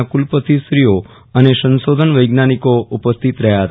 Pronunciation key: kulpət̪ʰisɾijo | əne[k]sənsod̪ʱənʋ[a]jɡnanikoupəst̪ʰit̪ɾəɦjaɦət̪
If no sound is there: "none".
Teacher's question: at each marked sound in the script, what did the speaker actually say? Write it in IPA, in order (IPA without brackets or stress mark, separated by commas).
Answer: none, ə